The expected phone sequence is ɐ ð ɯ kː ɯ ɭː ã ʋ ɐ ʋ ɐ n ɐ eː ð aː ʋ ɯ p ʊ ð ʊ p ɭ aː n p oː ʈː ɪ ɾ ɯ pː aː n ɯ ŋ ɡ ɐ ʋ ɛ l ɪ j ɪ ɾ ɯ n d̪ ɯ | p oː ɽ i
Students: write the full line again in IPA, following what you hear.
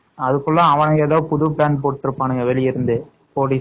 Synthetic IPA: ɐ ð ɯ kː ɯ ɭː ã ɐ ʋ ɐ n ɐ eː ð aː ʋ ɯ p ʊ ð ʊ p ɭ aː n p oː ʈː ɪ ɾ ɯ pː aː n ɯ ŋ ɡ ɐ ʋ ɛ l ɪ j ɪ ɾ ɯ n d̪ ɯ | p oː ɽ i